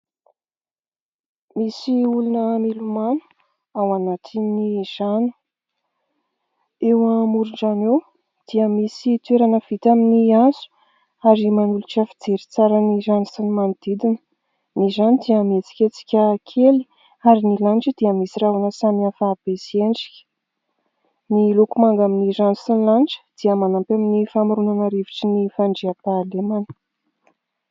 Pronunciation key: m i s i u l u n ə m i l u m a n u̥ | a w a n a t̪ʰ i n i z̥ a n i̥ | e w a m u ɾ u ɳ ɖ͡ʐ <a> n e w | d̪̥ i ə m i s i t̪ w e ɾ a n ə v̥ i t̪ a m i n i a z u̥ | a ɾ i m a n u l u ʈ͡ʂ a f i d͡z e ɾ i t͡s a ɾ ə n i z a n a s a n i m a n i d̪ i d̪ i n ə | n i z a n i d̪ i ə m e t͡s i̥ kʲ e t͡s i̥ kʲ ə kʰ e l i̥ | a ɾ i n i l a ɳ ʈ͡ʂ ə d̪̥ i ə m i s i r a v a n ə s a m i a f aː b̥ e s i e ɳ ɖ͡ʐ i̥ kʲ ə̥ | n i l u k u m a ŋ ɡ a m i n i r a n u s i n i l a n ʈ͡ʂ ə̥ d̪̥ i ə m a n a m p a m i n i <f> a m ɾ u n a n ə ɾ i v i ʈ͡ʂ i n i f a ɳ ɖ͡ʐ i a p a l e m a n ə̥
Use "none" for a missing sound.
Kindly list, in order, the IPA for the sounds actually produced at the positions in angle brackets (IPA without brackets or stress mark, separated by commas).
a, f